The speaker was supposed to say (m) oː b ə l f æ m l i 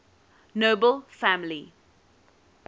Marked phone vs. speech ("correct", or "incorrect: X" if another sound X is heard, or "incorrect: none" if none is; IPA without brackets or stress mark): incorrect: n